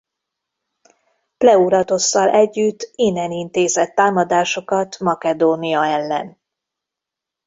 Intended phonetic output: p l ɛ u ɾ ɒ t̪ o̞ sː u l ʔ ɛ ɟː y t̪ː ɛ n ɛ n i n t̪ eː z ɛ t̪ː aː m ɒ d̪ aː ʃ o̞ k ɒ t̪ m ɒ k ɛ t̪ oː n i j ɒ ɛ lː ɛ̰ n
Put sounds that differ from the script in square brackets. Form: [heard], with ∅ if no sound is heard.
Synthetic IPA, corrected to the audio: p l ɛ u ɾ ɒ t̪ o̞ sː [ɒ] l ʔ ɛ ɟː y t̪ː [i] n ɛ n i n t̪ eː z ɛ t̪ː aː m ɒ d̪ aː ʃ o̞ k ɒ t̪ m ɒ k ɛ [d̪] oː n i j ɒ ɛ lː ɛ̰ n